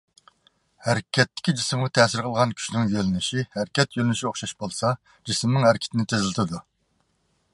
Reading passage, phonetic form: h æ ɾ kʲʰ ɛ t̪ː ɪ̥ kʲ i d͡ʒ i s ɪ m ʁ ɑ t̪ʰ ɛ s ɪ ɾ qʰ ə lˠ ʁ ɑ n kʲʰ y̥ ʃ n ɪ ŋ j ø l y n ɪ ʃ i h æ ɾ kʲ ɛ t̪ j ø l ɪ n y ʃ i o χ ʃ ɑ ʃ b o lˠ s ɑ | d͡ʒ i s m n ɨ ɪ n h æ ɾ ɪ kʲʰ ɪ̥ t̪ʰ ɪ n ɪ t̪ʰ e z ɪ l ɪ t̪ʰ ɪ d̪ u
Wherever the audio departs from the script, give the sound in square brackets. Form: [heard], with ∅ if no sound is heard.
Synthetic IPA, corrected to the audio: h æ ɾ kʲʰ ɛ t̪ː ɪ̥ kʲ i d͡ʒ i s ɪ m ʁ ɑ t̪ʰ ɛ s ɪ ɾ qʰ ə lˠ ʁ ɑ n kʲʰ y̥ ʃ n ɪ ŋ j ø l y n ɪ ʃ i h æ ɾ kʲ ɛ t̪ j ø l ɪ n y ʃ i o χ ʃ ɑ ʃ b o lˠ s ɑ | d͡ʒ i s m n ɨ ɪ [ŋ] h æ ɾ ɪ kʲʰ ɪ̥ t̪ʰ ɪ n ɪ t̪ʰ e z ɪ l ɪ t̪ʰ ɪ d̪ u